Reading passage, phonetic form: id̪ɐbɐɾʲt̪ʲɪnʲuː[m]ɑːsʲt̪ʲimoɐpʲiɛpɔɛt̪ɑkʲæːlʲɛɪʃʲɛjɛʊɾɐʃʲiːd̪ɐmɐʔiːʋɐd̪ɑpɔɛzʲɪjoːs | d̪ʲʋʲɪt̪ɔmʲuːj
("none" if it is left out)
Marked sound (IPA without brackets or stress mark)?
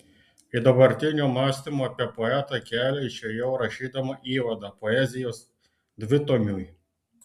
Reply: m